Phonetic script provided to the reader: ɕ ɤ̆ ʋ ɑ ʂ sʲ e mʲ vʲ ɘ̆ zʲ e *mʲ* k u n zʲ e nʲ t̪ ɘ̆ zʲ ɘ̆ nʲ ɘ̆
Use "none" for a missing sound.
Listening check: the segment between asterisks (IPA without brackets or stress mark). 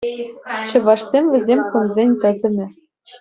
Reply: mʲ